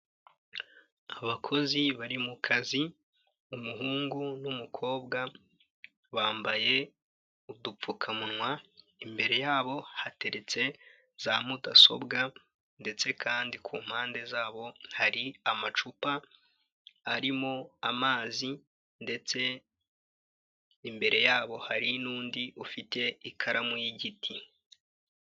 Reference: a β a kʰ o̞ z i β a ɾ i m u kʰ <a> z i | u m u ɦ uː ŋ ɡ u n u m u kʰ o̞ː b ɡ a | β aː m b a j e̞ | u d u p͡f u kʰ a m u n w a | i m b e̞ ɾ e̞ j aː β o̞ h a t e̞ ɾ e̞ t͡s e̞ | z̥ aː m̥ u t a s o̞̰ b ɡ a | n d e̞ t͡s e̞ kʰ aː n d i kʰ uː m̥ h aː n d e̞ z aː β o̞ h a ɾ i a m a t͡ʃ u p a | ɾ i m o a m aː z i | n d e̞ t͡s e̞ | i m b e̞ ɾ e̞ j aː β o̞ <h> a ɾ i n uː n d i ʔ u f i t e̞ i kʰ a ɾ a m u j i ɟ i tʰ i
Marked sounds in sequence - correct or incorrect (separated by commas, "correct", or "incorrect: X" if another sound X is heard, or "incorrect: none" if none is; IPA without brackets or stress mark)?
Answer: correct, correct